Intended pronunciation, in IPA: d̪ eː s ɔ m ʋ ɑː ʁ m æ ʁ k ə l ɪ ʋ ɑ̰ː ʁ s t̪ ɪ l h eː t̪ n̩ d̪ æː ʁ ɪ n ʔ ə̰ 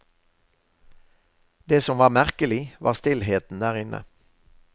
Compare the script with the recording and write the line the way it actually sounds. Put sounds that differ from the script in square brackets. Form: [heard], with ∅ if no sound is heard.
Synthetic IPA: d̪ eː s ɔ m ʋ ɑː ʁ m æ ʁ k ə l ɪ ʋ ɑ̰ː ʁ s t̪ ɪ l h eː t̪ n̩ d̪ æː ʁ ɪ n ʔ ə̰